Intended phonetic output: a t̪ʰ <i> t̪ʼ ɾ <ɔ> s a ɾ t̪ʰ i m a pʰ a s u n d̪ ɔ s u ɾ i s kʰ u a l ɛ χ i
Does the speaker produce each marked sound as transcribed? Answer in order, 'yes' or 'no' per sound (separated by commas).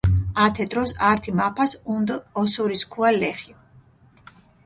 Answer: no, yes